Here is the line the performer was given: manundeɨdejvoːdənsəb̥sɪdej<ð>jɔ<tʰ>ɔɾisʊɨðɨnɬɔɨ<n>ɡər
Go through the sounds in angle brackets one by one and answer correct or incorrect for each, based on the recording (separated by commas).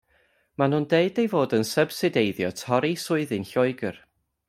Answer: correct, correct, incorrect